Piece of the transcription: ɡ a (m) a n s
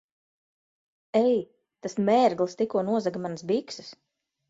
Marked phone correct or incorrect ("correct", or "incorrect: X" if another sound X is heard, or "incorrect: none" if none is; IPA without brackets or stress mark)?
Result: correct